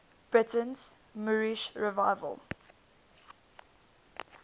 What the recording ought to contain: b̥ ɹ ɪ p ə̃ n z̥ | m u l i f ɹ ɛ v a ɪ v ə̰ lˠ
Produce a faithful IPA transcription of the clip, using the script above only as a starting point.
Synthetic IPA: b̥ ɹ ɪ t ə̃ n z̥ | m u ɹ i ʃ ɹ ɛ v a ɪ v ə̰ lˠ